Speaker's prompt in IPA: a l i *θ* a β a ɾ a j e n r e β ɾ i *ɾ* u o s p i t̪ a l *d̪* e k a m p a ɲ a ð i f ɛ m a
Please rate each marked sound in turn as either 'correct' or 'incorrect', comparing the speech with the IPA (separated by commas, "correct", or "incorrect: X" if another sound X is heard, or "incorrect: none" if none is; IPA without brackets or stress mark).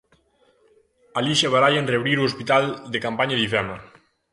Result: incorrect: ʃ, correct, correct